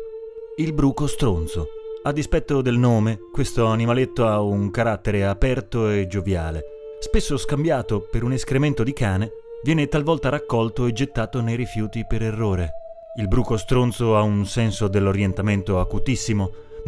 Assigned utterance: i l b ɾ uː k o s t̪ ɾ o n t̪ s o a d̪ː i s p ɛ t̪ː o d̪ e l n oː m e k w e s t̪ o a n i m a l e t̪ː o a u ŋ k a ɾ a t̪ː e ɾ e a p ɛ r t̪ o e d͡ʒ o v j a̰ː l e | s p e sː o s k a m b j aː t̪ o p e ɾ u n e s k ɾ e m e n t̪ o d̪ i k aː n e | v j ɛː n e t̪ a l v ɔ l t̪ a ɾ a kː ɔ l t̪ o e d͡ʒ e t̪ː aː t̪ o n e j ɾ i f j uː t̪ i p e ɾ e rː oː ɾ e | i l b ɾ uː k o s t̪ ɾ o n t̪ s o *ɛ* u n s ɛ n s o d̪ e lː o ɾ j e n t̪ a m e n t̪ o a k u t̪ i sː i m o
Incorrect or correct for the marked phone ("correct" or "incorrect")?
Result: incorrect